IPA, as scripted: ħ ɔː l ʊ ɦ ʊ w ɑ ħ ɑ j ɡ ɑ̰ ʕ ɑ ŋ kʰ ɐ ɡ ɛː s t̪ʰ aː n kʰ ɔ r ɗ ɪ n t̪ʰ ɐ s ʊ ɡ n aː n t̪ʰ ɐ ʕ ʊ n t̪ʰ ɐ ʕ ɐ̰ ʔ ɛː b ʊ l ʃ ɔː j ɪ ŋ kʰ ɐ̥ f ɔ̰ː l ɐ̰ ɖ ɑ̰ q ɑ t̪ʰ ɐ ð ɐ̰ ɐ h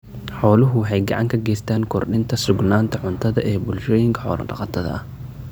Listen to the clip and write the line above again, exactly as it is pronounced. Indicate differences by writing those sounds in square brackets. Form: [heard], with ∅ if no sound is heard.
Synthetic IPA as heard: ħ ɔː l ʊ ɦ ʊ w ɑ ħ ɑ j ɡ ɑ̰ ʕ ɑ ŋ kʰ ɐ ɡ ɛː s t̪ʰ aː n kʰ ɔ r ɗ ɪ n t̪ʰ ɐ s ʊ ɡ n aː n t̪ʰ ɐ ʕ ʊ n t̪ʰ ɐ [ð] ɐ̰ ʔ ɛː b ʊ l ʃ ɔː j ɪ ŋ kʰ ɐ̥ [ħ] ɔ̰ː l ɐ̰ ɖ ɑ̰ q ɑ t̪ʰ ɐ ð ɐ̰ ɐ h